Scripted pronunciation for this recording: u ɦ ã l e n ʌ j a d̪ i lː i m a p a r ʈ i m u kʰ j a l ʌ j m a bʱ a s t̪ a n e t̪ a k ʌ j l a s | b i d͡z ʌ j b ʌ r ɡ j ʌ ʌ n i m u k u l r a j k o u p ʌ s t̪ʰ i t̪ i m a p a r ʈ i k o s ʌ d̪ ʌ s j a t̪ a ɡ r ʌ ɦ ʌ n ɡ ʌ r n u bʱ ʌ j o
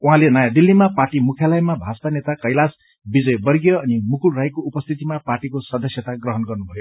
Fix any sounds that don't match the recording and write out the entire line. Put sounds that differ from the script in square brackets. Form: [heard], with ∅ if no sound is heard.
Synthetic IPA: u ɦ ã l e n ʌ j a d̪ i lː i m a p a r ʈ i m u kʰ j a l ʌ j m a bʱ a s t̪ a n e t̪ a k ʌ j l a s | b i d͡z ʌ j b ʌ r ɡ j ʌ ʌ n i m u k u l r a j k o u p ʌ s t̪ʰ i t̪ i m a p a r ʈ i k o s ʌ d̪ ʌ s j [ʌ] t̪ a ɡ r ʌ ɦ ʌ n ɡ ʌ r n u bʱ ʌ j o